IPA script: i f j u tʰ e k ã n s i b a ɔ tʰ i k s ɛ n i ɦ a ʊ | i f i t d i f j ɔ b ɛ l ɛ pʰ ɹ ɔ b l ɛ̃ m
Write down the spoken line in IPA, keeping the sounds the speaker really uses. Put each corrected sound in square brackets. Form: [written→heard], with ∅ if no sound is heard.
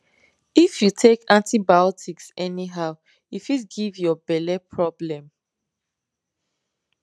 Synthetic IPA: i f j u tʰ e k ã n [s→t] i b a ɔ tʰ i k s ɛ n i ɦ a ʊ | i f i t [d→ɡ] i [f→v] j ɔ b ɛ l ɛ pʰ ɹ ɔ b l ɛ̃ m